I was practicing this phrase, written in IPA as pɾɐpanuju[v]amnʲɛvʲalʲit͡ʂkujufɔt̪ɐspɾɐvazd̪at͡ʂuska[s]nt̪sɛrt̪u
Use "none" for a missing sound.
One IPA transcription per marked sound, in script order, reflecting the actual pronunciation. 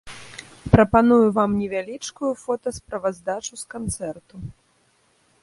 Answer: v, none

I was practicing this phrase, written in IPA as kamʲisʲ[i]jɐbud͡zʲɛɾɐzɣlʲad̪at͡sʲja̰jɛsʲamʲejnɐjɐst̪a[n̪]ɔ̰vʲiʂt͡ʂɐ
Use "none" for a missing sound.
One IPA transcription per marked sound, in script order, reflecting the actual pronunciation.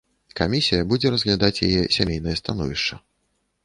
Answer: i, n̪

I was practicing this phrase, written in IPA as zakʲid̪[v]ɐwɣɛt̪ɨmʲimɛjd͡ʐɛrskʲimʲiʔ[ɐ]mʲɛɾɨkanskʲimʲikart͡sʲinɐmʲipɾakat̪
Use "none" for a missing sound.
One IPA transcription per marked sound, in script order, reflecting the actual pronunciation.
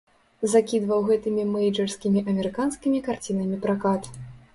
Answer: v, ɐ

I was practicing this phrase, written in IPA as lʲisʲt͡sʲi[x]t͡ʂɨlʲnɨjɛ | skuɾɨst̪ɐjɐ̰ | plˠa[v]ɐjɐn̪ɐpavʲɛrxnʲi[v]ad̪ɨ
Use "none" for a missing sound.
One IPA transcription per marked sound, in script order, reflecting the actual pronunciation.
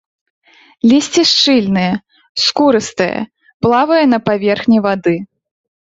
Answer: ʂ, v, v

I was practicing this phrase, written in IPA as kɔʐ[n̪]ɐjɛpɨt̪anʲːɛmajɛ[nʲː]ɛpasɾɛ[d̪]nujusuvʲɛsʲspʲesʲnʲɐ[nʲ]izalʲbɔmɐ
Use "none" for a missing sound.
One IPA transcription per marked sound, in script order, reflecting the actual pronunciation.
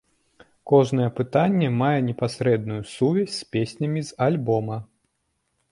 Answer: n̪, nʲ, d̪, mʲ

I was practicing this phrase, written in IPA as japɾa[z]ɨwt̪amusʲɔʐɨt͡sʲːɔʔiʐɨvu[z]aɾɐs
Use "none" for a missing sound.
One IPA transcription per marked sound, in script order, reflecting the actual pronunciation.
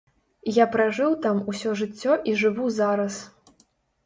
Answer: ʐ, z

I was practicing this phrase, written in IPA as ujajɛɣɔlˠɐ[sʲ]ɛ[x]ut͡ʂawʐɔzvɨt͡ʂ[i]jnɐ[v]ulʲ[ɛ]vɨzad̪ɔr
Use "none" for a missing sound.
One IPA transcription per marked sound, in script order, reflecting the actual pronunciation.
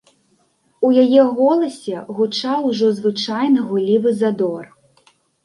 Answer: sʲ, ɣ, a, ɣ, i

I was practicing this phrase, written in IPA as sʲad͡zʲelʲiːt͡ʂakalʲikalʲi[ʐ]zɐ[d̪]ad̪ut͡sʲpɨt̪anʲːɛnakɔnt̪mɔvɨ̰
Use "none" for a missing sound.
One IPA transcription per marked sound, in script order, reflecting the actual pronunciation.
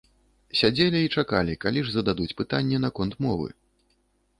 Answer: ʐ, d̪

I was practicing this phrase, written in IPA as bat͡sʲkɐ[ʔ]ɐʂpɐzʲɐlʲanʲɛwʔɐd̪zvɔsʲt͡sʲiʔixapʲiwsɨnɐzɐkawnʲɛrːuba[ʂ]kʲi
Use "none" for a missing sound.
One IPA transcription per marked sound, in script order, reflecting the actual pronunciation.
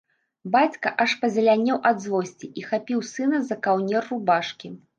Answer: ʔ, ʂ

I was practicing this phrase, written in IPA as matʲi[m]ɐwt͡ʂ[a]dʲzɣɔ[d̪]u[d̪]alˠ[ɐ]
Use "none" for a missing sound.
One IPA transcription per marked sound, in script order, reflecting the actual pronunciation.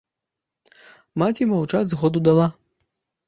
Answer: m, a, d̪, d̪, a

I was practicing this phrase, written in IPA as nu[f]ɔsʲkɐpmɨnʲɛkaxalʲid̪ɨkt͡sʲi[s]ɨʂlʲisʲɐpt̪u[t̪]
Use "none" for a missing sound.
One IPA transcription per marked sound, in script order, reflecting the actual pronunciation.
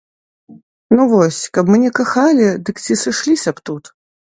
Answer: v, s, t̪

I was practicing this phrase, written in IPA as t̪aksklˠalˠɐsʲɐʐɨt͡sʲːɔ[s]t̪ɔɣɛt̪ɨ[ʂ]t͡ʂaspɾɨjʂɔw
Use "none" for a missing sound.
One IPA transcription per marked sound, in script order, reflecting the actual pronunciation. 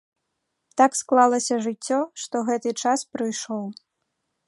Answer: ʂ, none

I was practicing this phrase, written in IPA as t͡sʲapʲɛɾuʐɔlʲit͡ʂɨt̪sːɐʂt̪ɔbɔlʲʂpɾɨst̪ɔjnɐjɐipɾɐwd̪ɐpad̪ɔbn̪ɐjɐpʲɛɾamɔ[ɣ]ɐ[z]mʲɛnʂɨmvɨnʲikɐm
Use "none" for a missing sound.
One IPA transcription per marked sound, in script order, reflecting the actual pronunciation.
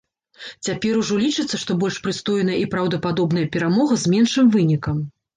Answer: ɣ, z

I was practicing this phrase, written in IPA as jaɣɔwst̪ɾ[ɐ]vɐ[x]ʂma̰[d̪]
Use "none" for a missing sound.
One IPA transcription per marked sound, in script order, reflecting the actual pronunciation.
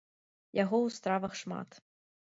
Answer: a, x, t̪

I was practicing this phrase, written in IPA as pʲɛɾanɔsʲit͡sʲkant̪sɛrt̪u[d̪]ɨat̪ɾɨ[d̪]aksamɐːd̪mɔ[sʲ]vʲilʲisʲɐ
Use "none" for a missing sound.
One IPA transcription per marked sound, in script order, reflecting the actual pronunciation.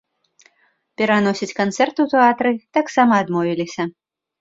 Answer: t̪, t̪, none

